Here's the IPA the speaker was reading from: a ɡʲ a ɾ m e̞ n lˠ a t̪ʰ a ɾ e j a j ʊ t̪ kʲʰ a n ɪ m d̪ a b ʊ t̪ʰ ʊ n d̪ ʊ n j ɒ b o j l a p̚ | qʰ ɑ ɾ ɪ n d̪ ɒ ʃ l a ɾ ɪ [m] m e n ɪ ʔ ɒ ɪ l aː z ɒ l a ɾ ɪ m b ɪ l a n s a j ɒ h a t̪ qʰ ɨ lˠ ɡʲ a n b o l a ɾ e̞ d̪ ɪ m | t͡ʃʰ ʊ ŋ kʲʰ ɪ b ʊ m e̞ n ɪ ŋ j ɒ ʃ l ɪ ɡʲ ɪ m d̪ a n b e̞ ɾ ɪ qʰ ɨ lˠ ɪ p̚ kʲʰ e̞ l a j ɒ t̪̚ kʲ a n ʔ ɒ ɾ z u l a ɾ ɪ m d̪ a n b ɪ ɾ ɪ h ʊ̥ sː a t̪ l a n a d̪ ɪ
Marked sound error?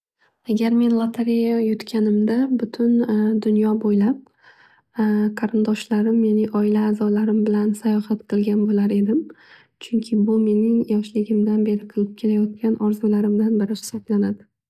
no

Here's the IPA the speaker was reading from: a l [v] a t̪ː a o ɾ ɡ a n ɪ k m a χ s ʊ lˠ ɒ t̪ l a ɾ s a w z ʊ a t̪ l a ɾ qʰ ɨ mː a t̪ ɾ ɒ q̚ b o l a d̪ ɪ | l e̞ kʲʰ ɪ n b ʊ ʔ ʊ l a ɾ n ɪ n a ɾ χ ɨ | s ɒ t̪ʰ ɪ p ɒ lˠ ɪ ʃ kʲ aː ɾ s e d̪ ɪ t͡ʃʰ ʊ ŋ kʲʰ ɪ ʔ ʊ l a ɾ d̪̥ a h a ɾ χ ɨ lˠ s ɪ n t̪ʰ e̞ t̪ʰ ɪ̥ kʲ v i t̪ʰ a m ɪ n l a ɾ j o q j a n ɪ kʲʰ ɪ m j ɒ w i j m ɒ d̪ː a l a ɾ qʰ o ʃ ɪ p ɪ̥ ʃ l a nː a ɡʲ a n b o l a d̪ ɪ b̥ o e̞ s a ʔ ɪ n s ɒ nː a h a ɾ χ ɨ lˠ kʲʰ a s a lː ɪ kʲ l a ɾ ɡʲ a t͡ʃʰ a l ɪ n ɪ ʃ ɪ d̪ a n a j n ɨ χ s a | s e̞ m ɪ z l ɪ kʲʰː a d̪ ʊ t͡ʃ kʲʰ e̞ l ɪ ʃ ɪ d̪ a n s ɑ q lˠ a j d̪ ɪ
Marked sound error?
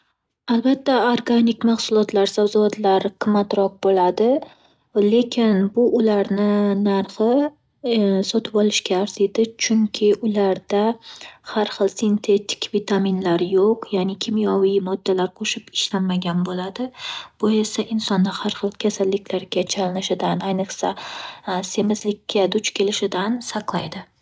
yes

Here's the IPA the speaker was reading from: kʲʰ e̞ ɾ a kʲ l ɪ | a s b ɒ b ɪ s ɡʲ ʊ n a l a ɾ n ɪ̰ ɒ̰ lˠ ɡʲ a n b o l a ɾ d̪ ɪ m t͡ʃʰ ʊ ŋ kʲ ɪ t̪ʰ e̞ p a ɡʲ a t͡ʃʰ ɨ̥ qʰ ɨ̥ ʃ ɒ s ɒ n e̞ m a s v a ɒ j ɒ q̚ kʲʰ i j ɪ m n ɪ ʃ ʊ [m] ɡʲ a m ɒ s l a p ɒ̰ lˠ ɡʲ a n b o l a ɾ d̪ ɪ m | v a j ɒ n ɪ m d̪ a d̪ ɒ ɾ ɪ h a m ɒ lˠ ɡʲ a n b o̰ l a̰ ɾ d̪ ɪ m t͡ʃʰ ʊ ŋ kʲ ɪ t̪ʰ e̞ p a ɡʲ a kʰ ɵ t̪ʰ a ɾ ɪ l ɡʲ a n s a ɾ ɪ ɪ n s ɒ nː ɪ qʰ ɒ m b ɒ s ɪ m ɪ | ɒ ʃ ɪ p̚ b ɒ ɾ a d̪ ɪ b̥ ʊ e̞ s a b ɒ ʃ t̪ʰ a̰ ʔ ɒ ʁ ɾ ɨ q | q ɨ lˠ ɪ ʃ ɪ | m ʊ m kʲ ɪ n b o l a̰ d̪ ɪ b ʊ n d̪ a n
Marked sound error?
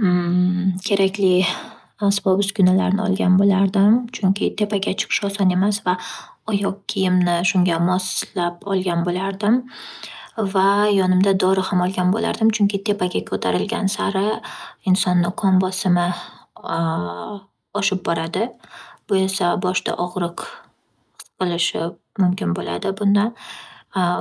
yes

